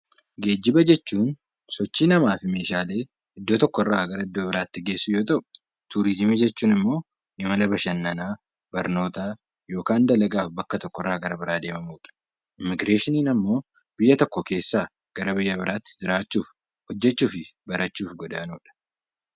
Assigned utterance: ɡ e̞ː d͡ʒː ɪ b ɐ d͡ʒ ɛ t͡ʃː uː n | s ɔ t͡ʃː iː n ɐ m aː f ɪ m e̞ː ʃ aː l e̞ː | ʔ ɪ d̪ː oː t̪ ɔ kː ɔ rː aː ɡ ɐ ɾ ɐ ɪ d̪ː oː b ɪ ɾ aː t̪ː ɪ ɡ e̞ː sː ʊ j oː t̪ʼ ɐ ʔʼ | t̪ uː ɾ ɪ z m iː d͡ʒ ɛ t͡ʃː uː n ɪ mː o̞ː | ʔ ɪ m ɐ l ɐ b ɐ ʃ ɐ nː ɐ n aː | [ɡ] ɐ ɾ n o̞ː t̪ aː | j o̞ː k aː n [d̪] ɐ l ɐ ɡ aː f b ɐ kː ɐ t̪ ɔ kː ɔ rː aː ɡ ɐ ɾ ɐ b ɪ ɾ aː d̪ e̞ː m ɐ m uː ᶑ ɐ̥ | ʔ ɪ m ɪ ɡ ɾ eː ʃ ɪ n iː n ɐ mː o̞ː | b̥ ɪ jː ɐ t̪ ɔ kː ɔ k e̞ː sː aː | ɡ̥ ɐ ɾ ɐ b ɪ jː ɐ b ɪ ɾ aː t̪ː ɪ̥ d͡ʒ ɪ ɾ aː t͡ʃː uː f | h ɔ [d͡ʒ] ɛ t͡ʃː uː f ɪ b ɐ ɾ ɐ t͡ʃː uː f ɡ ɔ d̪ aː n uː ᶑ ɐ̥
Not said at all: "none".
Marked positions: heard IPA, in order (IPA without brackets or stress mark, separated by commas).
b, d̪, d͡ʒː